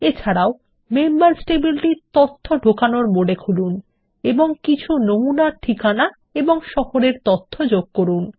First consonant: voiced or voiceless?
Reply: voiceless